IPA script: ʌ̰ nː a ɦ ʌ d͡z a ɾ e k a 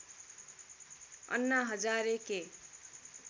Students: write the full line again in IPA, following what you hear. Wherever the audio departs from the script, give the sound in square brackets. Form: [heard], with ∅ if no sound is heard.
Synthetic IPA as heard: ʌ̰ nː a ɦ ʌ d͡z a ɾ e k [e]